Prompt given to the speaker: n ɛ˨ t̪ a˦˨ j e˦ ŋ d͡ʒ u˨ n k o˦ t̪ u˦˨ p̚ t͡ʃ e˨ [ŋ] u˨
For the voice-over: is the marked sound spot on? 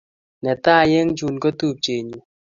no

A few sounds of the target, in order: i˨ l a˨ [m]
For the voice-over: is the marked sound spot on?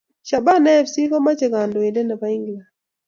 no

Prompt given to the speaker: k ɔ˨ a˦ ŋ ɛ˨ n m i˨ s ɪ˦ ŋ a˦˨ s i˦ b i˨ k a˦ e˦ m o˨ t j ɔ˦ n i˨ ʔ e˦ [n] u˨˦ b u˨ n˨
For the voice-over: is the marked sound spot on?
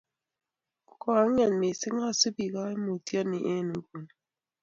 yes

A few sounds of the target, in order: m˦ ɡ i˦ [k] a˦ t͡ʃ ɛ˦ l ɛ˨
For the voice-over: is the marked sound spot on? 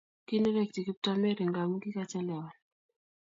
yes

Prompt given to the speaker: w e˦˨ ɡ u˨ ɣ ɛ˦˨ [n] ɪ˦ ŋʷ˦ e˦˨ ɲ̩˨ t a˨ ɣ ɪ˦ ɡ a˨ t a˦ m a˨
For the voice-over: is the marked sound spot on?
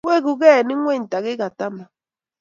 yes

